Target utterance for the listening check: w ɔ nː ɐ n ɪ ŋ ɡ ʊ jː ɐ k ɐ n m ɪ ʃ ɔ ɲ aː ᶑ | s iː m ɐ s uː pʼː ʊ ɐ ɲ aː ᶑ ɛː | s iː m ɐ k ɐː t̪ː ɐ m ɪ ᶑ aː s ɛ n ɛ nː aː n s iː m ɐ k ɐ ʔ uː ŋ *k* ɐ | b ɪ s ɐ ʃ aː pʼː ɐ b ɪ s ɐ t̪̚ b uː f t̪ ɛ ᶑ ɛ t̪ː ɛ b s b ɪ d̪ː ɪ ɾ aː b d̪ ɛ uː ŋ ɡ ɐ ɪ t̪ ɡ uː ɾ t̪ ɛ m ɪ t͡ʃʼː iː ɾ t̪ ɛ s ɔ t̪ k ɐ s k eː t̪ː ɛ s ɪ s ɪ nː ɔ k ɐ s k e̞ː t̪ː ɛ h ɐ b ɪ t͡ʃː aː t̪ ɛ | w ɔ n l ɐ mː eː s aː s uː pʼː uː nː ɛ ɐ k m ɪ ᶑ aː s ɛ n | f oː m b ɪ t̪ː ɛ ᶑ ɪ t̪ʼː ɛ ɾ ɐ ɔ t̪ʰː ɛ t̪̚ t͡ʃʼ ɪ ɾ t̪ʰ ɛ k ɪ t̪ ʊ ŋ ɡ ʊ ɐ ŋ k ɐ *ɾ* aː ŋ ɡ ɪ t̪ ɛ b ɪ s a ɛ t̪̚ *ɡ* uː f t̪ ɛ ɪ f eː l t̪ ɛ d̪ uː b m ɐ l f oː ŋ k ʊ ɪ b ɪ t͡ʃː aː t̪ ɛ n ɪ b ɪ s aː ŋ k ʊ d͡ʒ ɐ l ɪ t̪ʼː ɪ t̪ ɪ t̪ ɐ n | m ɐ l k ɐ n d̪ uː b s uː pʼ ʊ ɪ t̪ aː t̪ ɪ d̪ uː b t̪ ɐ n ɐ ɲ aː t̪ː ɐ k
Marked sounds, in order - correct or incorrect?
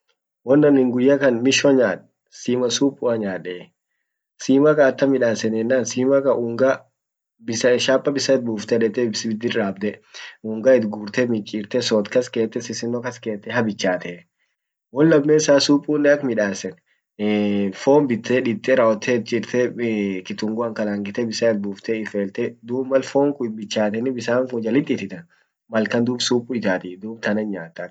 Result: incorrect: ɡ, incorrect: l, incorrect: b

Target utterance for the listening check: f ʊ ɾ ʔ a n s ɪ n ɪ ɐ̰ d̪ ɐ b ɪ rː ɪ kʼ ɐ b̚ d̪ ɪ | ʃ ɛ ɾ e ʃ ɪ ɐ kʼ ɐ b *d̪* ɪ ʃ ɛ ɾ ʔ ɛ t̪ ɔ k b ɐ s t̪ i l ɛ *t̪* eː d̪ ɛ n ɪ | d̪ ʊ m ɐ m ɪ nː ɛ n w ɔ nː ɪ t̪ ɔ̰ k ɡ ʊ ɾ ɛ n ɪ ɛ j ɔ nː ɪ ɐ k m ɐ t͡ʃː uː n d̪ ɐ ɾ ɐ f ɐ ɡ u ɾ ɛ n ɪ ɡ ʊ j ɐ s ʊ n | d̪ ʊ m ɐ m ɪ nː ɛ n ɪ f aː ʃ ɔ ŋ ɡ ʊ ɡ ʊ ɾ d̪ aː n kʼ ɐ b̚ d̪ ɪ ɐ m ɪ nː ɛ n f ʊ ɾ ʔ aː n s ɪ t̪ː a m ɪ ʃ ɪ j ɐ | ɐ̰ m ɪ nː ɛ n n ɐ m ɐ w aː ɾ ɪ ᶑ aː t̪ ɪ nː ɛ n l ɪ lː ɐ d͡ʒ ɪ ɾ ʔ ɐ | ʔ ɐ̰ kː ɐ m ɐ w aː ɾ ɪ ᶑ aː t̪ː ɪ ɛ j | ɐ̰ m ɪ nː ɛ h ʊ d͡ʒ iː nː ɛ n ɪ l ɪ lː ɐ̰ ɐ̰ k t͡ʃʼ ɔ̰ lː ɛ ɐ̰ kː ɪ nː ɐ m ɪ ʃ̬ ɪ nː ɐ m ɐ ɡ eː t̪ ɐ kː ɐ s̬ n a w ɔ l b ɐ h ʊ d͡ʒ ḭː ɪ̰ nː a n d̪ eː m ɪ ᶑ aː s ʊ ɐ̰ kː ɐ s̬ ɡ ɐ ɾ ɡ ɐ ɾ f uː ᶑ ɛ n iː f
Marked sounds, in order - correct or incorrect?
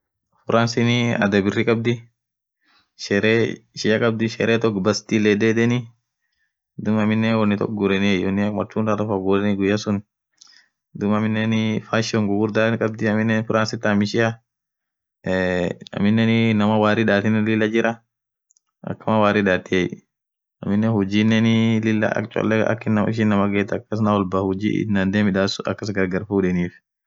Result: correct, incorrect: d̪

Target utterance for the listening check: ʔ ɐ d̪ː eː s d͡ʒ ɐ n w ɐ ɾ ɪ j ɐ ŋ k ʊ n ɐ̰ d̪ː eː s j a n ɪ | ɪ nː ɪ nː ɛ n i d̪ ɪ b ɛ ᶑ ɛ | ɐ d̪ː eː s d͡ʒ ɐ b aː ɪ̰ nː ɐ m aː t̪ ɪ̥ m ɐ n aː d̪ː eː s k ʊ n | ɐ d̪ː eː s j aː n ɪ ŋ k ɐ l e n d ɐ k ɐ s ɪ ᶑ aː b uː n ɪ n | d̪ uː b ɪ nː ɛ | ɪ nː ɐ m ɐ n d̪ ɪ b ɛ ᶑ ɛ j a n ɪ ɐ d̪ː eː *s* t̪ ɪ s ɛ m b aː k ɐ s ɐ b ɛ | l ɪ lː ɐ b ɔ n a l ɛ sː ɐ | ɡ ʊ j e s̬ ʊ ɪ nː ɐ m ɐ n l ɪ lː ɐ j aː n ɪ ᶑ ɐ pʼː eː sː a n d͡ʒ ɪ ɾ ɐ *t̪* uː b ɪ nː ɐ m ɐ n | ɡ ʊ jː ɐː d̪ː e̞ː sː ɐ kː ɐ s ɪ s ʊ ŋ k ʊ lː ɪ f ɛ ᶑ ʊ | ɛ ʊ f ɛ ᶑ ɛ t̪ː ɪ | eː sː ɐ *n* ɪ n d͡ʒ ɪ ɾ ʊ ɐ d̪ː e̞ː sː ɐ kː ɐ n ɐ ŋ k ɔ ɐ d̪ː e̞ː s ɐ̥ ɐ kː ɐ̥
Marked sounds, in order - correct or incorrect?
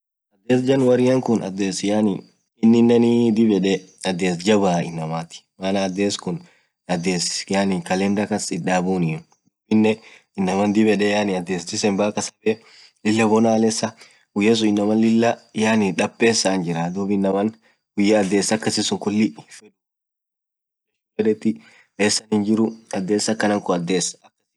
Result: correct, incorrect: d̪, correct

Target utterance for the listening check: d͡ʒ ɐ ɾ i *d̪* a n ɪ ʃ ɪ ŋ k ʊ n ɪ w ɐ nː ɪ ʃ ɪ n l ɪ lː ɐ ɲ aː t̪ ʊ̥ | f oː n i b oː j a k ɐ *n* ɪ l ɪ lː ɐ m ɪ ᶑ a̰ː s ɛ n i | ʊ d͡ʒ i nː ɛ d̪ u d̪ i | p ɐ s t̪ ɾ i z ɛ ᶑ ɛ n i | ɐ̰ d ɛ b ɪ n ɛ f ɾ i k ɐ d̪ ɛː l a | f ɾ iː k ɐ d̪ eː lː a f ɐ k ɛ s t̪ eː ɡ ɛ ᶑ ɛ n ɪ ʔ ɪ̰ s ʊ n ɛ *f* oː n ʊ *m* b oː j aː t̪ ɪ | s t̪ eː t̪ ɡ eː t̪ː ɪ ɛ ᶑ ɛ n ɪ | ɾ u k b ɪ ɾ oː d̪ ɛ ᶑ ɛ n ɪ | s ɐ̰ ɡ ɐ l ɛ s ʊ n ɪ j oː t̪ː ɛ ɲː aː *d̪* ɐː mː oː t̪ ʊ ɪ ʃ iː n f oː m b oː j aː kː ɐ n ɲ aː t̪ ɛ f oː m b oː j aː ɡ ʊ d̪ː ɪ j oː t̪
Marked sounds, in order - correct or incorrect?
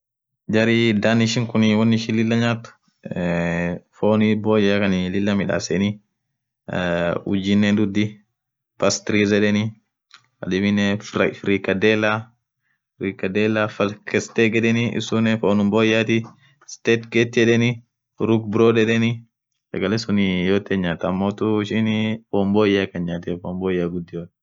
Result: correct, correct, correct, correct, incorrect: t̪

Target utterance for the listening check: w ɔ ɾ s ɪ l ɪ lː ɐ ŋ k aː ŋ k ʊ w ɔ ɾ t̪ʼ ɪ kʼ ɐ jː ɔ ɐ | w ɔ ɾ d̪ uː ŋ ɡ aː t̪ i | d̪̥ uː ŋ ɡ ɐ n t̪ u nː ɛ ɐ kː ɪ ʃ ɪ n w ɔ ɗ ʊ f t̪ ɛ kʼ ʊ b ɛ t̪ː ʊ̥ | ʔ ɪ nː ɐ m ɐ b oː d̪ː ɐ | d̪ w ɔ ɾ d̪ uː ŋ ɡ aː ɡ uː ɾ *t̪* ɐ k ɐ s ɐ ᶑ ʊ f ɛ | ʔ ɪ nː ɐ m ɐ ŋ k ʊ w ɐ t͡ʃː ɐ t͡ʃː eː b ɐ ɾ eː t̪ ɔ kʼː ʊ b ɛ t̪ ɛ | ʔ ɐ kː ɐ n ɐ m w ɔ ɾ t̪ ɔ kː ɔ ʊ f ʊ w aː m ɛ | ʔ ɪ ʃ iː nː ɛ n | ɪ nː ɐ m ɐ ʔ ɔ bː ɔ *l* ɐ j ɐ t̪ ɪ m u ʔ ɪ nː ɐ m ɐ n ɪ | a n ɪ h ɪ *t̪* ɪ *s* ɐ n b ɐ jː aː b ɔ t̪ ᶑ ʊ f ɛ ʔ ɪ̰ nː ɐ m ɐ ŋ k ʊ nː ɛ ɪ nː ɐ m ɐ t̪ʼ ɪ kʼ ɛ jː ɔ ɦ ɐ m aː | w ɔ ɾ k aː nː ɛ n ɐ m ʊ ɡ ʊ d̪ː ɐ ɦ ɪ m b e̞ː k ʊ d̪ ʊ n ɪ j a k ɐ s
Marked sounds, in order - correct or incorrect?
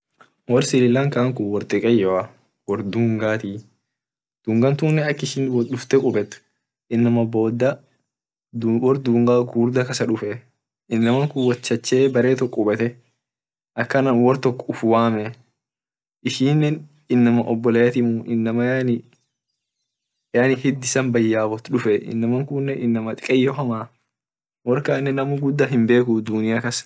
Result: incorrect: d̪, correct, incorrect: d̪, correct

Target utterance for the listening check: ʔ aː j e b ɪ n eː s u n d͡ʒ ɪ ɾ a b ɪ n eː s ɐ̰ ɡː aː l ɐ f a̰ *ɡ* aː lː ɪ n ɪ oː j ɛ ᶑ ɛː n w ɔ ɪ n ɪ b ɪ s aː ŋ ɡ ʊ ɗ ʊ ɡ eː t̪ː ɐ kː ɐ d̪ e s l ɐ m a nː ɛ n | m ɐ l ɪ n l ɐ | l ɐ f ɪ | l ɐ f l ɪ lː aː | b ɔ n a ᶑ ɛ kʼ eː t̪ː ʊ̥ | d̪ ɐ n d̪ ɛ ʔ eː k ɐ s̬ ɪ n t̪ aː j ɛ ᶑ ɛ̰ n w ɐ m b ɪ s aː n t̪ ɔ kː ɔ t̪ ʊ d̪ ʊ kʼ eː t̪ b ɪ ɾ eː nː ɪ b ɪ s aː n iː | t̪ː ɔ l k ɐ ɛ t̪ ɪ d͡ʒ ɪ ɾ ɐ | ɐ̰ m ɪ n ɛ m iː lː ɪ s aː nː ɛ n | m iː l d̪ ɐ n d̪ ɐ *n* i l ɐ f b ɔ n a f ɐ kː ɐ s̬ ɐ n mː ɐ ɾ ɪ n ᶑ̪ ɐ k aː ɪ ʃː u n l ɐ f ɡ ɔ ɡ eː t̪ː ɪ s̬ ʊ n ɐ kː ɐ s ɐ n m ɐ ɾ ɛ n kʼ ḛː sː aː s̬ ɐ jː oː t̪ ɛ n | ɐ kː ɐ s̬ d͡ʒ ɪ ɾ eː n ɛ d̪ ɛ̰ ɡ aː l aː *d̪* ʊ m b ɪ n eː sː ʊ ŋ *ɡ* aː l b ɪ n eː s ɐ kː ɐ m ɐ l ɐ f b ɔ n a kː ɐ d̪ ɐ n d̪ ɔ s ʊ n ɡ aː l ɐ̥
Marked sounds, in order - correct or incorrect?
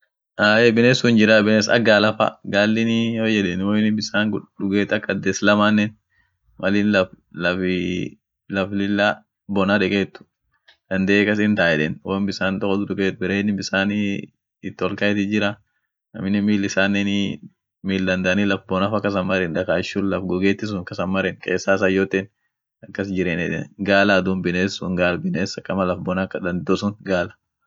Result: correct, correct, correct, correct

